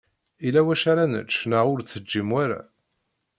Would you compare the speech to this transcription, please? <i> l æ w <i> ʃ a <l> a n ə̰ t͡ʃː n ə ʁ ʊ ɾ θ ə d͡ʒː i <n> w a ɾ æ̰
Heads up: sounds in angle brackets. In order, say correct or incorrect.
correct, incorrect: æ, incorrect: ɾ, incorrect: m

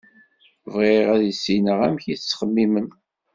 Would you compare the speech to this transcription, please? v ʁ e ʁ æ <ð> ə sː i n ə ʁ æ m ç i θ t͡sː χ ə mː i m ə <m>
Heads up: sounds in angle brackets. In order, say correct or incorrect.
correct, incorrect: n

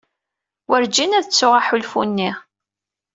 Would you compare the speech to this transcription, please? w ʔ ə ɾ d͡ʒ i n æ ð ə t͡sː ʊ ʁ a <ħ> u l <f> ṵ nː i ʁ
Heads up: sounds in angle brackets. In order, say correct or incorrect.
correct, correct

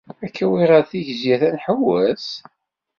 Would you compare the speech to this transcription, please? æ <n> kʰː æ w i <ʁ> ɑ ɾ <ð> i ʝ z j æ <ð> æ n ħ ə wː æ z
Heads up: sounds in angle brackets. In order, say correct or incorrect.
incorrect: none, correct, incorrect: θ, incorrect: θ

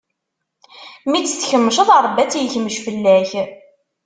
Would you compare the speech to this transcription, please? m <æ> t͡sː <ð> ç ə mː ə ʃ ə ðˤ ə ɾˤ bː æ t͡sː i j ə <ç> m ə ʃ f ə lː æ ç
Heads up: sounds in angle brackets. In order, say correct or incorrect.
incorrect: i, incorrect: θ, correct

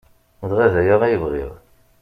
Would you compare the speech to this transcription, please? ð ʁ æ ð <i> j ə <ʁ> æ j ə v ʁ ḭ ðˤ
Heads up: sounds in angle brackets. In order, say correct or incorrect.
incorrect: æ, correct

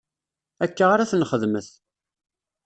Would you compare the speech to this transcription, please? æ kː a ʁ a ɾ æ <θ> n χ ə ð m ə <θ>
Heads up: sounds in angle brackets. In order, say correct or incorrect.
correct, correct

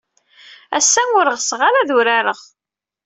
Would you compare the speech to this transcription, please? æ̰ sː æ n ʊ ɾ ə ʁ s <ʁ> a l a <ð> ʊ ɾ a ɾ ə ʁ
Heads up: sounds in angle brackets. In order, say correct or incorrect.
correct, correct

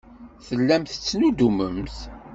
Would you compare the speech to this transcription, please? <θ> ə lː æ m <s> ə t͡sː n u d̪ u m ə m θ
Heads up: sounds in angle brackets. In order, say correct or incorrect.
correct, incorrect: θ

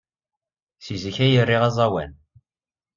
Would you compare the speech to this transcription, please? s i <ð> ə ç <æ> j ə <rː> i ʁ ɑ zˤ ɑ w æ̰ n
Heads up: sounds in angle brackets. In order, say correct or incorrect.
incorrect: z, correct, correct

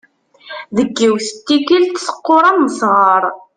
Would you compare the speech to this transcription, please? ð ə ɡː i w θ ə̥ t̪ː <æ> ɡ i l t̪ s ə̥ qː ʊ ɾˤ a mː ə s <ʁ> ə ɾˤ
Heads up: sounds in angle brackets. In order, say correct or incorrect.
incorrect: i, correct

